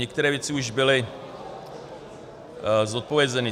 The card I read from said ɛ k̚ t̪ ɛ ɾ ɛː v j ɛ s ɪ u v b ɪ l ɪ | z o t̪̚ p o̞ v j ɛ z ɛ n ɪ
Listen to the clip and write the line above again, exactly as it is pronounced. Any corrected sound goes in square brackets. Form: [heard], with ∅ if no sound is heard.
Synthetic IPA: ɛ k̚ t̪ ɛ ɾ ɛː v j ɛ [t͡s] ɪ u [ʒ] b ɪ l ɪ | z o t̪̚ p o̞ v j ɛ z ɛ n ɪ